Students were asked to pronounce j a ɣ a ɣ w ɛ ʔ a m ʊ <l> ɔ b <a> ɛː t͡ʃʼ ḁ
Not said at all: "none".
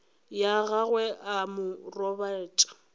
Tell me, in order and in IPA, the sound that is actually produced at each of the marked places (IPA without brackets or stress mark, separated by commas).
r, a